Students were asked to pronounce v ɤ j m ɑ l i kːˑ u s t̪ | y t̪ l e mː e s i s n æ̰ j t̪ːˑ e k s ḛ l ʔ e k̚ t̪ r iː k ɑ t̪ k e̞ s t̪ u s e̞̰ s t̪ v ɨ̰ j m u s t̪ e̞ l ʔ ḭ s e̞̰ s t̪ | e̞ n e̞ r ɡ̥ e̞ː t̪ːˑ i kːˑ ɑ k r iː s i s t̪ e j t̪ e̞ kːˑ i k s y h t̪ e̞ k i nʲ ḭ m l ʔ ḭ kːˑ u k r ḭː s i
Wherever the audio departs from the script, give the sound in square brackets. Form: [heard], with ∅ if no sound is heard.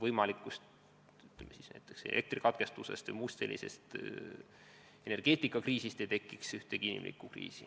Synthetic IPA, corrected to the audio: v ɤ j m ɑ l i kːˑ u s t̪ | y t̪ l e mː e s i s n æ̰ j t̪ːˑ e k s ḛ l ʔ e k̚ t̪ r [i] k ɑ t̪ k e̞ s t̪ u s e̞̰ s t̪ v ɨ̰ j m u s t̪ e̞ l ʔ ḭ s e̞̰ s t̪ | e̞ n e̞ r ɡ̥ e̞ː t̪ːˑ i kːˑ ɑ k r iː s i s t̪ e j t̪ e̞ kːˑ i k s y h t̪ e̞ k i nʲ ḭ m l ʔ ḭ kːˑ u k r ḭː s i